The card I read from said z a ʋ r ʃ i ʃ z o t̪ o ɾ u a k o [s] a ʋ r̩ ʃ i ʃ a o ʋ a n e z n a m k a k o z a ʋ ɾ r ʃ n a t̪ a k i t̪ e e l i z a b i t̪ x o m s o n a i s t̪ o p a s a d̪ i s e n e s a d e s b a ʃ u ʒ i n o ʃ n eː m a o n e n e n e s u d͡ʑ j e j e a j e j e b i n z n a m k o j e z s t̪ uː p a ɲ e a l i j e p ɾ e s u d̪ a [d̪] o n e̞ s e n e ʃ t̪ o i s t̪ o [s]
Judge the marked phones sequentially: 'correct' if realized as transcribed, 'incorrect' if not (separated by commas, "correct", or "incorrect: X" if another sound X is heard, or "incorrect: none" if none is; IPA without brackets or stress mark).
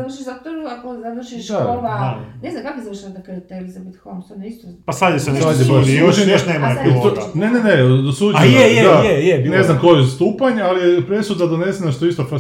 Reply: incorrect: z, correct, incorrect: f